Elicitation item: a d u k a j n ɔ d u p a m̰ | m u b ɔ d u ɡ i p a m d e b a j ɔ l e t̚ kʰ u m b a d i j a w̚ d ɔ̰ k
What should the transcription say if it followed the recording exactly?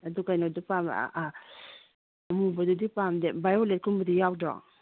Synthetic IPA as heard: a d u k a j n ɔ d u p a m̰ | m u b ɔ d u d i p a m d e b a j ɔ l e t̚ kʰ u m b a d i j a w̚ d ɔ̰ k

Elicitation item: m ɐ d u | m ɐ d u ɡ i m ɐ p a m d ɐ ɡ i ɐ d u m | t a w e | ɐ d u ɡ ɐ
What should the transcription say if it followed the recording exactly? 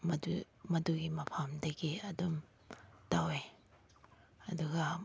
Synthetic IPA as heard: m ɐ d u | m ɐ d u ɡ i m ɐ pʰ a m d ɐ ɡ i ɐ d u m | t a w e | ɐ d u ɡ ɐ

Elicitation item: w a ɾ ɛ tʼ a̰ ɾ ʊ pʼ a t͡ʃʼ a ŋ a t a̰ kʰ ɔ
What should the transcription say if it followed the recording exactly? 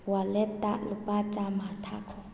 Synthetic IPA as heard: w a l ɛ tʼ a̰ l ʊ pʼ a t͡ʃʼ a m a tʰ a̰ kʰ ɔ

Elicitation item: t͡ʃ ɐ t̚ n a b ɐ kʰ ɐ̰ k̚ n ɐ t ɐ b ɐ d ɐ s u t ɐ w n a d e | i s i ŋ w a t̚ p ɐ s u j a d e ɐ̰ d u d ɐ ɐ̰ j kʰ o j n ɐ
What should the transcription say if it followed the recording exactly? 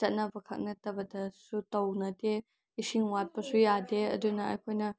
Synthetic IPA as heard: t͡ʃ ɐ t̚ n ɐ b ɐ kʰ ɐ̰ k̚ n ɐ t ɐ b ɐ d ɐ s u t ɐ w n ɐ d e | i s i ŋ w a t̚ p ɐ s u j a d e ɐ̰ d u n ɐ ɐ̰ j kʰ o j n ɐ

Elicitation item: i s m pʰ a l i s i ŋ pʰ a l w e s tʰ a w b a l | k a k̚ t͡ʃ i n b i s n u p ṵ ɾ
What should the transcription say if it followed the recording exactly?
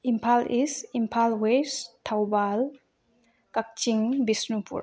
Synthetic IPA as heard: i m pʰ a l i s i m pʰ a l w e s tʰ a w b a l | k a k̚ t͡ʃ i ŋ b i s n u p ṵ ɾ

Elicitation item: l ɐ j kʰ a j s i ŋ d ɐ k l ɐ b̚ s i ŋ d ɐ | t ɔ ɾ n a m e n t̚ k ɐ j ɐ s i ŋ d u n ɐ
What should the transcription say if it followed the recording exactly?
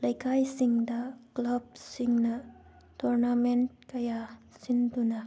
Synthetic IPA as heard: l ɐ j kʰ a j s i ŋ d ɐ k l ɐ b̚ s i ŋ n ɐ | t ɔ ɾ n a m e n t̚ k ɐ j a s i n d u n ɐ

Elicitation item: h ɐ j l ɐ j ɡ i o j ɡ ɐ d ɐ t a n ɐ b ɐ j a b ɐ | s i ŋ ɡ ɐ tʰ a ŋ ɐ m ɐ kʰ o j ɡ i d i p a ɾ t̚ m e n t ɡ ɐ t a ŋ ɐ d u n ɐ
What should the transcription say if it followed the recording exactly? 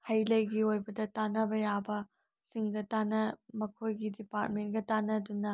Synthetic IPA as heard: h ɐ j l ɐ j ɡ i o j b ɐ d ɐ t a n ɐ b ɐ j a b ɐ | s i ŋ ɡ ɐ t a n ɐ m ɐ kʰ o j ɡ i d i p a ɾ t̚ m e n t ɡ ɐ t a n ɐ d u n ɐ

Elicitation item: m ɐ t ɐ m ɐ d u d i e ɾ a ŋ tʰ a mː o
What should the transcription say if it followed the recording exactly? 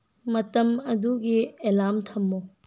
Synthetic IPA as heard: m ɐ t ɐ m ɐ d u ɡ i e l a m tʰ ɐ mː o

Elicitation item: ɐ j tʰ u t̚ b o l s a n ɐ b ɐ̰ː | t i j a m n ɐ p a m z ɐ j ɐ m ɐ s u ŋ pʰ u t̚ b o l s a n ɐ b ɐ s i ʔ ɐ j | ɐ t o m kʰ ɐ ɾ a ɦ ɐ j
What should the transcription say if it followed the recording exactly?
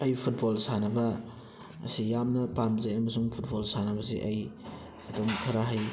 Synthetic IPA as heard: ɐ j pʰ u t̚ b o l s a n ɐ b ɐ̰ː | s i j a m n ɐ p a m z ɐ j ɐ m ɐ s u ŋ pʰ u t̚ b o l s a n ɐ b ɐ s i ʔ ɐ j | ɐ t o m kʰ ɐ ɾ a ɦ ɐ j

